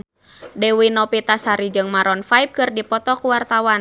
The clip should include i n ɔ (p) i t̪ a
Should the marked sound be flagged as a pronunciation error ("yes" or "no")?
no